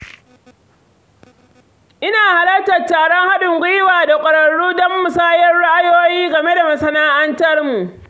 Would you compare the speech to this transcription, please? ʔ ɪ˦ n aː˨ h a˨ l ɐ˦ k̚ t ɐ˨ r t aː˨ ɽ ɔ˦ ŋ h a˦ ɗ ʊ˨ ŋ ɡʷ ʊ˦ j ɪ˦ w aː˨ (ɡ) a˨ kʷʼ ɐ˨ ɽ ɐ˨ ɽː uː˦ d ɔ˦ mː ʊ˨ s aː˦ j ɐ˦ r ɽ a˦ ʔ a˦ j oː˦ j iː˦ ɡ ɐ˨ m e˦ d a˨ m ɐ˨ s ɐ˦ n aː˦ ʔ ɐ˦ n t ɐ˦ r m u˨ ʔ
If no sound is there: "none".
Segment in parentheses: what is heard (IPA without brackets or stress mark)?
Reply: d